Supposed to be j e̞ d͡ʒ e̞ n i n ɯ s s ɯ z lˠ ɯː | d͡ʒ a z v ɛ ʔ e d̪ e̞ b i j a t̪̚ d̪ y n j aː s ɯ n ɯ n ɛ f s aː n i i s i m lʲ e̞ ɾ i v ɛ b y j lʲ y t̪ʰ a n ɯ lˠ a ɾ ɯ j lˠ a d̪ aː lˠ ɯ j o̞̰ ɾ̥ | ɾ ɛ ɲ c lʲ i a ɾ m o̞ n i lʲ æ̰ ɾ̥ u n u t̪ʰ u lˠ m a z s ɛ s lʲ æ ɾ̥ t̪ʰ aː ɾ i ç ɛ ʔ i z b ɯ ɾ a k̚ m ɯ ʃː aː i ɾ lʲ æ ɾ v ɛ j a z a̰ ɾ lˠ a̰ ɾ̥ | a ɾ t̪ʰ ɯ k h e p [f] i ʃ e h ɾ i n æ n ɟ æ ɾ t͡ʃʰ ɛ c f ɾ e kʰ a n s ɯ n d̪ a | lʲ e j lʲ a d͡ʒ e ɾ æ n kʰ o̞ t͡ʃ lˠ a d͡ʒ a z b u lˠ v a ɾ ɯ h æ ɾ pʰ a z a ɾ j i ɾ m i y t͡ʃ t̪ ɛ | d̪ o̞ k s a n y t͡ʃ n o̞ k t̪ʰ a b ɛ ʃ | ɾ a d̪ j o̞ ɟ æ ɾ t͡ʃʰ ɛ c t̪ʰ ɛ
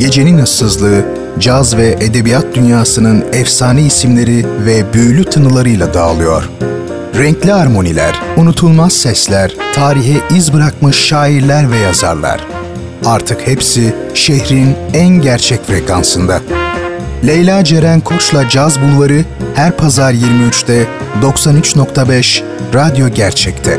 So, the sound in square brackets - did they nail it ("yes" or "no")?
no